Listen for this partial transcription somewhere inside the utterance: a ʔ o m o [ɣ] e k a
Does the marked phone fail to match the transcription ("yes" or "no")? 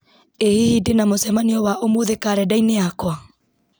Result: yes